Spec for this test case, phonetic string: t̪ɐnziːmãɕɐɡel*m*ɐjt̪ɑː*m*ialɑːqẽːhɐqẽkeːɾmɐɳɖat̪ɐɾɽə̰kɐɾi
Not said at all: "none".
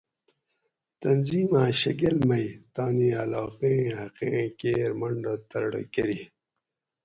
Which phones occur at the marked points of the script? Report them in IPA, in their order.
m, n

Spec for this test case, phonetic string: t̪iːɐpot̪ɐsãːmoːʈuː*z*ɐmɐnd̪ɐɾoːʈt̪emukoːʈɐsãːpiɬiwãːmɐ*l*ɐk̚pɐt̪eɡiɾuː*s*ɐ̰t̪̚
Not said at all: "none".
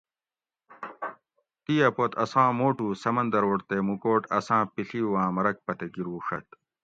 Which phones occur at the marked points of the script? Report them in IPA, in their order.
s, ɾ, ʂ

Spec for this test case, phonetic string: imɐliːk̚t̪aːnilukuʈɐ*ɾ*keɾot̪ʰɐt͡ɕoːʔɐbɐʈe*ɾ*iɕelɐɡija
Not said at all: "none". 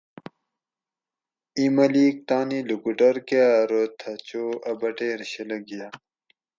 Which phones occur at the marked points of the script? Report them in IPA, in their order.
ɾ, ɾ

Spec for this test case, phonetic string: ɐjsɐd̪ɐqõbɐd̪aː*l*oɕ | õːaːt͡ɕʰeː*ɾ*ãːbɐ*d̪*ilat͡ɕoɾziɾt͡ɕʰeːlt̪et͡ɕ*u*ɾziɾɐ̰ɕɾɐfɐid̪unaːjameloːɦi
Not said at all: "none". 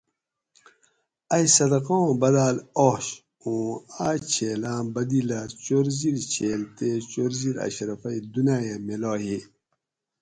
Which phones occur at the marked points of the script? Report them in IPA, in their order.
l, l, d̪, o

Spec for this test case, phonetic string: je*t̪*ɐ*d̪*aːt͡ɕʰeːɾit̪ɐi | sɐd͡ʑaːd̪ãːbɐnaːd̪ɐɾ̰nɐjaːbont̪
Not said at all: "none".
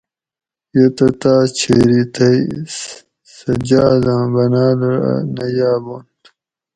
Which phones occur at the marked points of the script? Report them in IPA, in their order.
t̪, t̪

